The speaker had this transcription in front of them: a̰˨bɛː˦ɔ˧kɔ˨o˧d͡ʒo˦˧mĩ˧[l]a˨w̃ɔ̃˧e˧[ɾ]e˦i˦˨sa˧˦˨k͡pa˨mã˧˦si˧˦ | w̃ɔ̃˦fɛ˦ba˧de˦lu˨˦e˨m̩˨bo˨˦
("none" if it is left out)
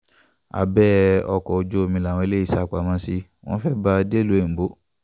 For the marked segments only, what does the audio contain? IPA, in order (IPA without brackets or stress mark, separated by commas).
l, l